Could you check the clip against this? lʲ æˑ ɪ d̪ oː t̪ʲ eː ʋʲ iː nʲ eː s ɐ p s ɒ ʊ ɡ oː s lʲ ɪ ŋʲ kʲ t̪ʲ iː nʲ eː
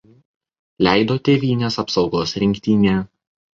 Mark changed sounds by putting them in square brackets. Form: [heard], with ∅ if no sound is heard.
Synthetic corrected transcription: lʲ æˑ ɪ d̪ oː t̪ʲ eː ʋʲ iː nʲ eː s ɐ p s ɒ ʊ ɡ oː s [ɾʲ] ɪ ŋʲ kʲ t̪ʲ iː nʲ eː

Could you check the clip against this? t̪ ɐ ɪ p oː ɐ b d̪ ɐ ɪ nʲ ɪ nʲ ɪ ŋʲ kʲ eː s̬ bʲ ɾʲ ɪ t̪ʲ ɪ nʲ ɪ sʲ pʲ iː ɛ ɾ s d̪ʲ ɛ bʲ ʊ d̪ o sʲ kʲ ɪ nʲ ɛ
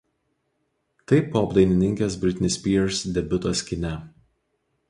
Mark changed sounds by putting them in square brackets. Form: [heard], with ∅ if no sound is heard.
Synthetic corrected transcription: t̪ ɐ ɪ p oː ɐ b d̪ ɐ ɪ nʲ ɪ nʲ ɪ ŋʲ kʲ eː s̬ bʲ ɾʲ ɪ t̪ʲ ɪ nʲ ɪ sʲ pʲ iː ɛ ɾ s d̪ʲ ɛ bʲ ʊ [t̪] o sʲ kʲ ɪ nʲ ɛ

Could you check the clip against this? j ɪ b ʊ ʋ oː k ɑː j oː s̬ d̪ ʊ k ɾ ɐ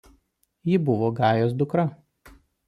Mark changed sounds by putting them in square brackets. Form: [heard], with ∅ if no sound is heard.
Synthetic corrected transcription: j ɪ b ʊ ʋ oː [ɡ] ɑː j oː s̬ d̪ ʊ k ɾ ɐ

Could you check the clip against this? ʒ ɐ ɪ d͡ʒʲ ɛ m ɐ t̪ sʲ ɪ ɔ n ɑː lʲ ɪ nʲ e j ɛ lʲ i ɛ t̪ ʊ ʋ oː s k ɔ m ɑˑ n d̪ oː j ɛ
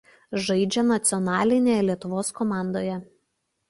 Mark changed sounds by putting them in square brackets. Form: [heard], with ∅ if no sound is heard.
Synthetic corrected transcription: ʒ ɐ ɪ d͡ʒʲ ɛ [n] ɐ t̪ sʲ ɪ ɔ n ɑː lʲ ɪ nʲ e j ɛ lʲ i ɛ t̪ ʊ ʋ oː s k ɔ m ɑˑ n d̪ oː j ɛ

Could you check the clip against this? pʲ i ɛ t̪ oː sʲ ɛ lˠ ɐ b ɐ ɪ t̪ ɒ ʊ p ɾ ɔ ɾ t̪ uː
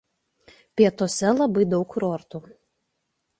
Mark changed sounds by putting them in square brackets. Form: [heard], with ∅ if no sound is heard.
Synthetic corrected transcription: pʲ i ɛ t̪ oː sʲ ɛ lˠ ɐ b ɐ ɪ [d̪] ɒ ʊ [k] ɾ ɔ ɾ t̪ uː

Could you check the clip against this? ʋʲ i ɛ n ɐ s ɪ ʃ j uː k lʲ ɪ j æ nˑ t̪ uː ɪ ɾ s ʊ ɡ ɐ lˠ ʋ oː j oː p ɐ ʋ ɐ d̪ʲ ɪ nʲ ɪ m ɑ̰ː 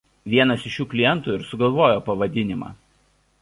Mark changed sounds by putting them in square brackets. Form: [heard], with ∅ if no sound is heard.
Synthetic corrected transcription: ʋʲ i ɛ n ɐ s ɪ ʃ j uː k lʲ ɪ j [ɛ] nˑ t̪ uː ɪ ɾ s ʊ ɡ ɐ lˠ ʋ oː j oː p ɐ ʋ ɐ d̪ʲ ɪ nʲ ɪ m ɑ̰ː

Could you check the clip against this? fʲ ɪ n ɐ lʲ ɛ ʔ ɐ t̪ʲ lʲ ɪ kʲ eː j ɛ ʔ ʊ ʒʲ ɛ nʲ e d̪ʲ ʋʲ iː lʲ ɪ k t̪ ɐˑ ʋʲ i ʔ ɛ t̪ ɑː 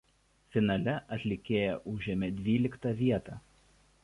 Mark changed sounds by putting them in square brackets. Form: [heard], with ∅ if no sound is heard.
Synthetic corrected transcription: fʲ ɪ n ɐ lʲ ɛ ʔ ɐ t̪ʲ lʲ ɪ kʲ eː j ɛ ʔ ʊ ʒʲ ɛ [mʲ] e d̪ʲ ʋʲ iː lʲ ɪ k t̪ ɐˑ ʋʲ i [∅] ɛ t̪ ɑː

